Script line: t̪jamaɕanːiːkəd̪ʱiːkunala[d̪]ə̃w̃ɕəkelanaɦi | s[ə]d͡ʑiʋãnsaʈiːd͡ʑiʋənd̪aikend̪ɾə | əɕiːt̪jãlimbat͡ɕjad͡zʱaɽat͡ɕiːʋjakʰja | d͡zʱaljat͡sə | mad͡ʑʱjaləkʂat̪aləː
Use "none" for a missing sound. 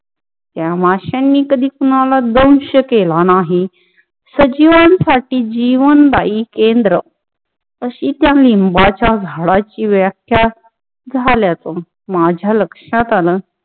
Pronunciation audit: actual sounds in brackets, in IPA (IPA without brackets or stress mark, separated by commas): d̪, ə